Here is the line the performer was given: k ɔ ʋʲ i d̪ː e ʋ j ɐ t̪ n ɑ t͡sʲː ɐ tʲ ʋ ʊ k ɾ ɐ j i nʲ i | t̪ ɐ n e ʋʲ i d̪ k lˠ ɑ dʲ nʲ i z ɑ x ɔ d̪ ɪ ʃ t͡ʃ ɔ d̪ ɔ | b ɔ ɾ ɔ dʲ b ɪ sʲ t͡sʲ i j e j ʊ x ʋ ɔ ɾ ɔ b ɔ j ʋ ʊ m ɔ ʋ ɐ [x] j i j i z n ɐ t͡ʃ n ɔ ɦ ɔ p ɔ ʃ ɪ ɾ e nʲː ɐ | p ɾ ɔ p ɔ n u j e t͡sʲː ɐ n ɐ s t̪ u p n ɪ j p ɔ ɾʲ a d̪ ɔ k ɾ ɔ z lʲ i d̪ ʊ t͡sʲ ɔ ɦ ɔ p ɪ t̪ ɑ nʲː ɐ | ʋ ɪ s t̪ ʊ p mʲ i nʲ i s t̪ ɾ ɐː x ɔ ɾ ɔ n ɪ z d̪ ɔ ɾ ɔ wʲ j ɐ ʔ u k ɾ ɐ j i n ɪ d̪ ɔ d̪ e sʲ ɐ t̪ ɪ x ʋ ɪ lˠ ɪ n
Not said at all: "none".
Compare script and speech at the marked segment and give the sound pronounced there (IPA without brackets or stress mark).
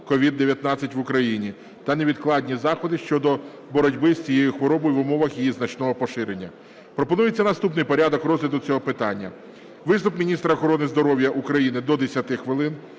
x